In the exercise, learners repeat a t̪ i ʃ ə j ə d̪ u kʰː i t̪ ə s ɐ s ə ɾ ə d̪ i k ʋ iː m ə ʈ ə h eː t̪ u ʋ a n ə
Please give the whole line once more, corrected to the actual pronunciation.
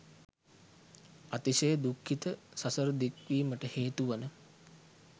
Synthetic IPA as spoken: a t̪ i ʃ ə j ə d̪ u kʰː i t̪ ə s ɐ s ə ɾ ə d̪ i k ʋ iː m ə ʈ ə h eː t̪ u ʋ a n ə